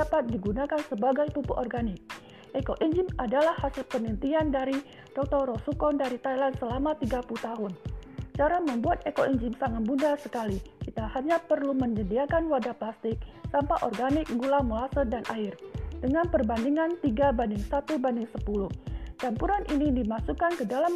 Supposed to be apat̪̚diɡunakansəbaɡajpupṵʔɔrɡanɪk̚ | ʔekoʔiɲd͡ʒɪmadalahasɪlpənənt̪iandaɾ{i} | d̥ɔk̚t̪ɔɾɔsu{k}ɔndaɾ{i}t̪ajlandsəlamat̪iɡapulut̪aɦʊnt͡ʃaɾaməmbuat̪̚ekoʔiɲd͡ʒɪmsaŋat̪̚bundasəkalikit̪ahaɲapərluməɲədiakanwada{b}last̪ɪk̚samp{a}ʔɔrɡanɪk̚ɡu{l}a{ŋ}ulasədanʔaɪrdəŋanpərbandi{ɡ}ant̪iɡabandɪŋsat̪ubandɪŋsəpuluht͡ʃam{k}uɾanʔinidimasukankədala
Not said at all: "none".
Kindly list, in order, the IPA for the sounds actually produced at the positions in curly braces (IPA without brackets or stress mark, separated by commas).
i, k, i, p, a, l, m, ŋ, p